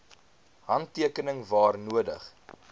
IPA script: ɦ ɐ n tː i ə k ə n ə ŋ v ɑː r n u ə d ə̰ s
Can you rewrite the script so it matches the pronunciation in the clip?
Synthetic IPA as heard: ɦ ɐ n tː i ə k ə n ə ŋ v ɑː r n u ə d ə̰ χ